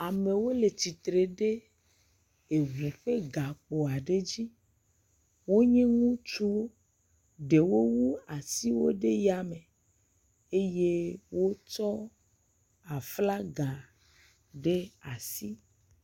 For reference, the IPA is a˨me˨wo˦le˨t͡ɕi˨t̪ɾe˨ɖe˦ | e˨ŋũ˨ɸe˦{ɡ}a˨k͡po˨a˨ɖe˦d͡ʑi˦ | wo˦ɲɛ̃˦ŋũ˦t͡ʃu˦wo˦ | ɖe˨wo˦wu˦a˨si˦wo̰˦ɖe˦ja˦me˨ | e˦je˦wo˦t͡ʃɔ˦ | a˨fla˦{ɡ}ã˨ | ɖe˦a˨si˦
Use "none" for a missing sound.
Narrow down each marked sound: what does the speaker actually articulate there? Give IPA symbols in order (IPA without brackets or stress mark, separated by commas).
ɡ, ɡ